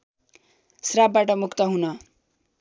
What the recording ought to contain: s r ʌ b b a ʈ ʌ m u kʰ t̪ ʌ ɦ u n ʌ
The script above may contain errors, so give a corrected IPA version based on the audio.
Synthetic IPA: s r a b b a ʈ ʌ m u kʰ t̪ ʌ ɦ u n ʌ